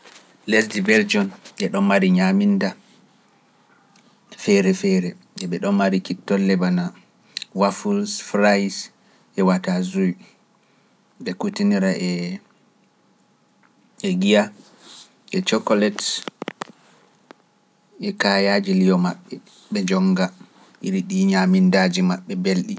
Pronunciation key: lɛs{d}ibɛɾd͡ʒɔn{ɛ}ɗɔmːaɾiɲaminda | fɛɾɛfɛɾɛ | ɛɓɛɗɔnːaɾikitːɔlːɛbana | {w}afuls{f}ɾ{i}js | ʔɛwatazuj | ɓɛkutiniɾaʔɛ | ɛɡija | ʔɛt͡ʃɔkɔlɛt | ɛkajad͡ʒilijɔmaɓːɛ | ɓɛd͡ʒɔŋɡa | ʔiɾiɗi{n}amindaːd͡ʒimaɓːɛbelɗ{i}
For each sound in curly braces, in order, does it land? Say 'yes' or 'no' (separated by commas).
yes, yes, yes, yes, no, no, yes